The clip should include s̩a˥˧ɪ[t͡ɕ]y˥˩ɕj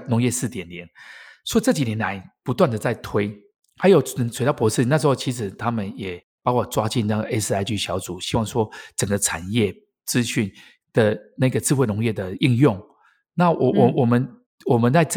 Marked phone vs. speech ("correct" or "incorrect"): correct